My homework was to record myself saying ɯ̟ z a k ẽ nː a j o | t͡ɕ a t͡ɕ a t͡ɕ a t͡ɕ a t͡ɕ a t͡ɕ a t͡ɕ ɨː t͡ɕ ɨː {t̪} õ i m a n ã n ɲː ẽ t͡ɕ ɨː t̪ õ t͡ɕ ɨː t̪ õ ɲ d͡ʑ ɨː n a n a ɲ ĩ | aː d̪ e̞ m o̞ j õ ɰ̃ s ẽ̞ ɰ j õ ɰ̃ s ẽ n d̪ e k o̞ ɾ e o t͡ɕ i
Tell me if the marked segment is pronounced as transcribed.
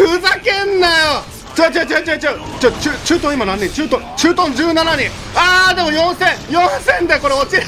yes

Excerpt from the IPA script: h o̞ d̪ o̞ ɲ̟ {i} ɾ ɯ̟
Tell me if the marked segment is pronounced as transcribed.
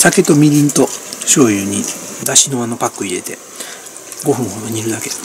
yes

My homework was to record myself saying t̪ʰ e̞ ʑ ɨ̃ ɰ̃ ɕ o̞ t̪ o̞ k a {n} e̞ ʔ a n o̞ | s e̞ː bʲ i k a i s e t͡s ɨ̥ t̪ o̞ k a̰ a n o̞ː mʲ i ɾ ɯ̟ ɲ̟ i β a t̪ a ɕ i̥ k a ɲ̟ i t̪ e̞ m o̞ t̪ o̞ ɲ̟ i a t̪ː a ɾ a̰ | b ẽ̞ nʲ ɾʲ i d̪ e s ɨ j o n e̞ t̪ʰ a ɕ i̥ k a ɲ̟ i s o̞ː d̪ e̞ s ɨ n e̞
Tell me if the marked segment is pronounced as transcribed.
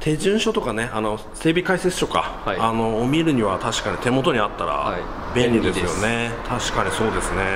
yes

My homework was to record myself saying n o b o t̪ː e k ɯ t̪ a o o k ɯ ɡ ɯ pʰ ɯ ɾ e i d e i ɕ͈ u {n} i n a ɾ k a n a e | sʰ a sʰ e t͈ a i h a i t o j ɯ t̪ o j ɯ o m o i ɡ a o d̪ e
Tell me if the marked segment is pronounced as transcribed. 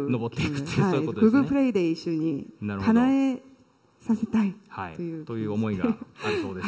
no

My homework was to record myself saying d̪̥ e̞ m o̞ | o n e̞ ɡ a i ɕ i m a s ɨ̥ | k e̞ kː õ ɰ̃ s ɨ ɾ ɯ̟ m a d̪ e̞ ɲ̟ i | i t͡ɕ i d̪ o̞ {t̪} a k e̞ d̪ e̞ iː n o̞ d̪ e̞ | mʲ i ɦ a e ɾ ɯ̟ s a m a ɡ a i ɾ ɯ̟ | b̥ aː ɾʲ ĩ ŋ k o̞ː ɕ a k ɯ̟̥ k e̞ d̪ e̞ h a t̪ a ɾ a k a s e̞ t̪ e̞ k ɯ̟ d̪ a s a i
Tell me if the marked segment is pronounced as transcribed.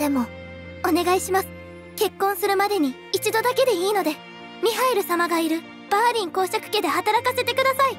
no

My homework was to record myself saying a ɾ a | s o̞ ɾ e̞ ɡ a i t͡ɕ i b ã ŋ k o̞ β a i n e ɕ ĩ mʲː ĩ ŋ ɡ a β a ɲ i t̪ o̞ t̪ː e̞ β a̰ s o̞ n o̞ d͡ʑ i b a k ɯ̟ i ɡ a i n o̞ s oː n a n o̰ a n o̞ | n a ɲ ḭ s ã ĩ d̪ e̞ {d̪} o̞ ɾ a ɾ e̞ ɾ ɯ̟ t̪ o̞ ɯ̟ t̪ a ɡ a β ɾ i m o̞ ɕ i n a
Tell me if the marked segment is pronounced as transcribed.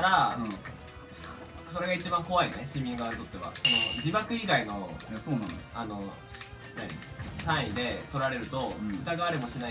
no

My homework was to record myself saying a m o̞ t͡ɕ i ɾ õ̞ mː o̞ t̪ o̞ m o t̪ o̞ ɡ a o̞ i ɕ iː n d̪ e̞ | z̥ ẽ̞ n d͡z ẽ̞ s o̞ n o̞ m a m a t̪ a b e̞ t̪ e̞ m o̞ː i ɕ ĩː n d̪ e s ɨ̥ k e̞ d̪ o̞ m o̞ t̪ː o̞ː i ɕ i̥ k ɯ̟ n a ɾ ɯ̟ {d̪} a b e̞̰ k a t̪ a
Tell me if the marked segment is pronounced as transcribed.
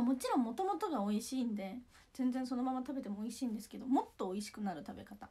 no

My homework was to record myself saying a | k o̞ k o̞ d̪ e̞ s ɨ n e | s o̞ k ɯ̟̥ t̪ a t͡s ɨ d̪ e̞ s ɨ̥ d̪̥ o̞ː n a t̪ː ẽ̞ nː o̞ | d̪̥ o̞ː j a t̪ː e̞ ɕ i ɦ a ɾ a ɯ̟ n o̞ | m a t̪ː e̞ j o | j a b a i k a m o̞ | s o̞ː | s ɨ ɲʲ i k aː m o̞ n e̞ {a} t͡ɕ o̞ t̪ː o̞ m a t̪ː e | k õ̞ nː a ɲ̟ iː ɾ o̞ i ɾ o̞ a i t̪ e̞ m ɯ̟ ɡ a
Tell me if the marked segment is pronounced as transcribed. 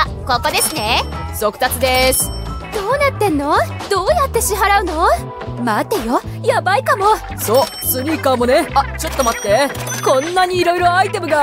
yes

